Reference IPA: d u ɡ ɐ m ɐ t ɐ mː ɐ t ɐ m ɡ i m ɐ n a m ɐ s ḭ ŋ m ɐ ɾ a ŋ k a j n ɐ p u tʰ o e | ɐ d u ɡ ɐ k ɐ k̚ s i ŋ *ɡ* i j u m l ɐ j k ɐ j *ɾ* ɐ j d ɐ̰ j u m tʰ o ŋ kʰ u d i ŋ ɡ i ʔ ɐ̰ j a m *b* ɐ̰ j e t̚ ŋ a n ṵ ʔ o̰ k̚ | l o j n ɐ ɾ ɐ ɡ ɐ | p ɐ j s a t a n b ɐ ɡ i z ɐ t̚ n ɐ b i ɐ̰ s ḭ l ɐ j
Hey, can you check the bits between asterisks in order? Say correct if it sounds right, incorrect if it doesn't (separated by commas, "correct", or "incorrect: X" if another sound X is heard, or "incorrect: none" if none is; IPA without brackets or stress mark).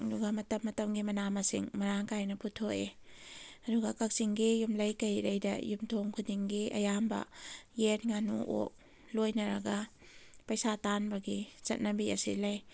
correct, correct, correct